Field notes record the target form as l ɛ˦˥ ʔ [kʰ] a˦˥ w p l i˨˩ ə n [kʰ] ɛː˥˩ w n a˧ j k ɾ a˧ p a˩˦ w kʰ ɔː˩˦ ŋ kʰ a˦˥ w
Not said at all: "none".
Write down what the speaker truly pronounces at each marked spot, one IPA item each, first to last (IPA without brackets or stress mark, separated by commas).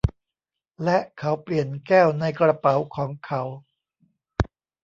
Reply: kʰ, k